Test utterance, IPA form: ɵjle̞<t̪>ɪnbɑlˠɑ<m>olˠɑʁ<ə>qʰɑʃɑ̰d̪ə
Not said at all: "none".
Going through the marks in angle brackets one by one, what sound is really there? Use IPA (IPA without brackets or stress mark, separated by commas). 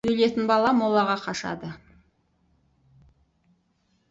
t̪, m, ɑ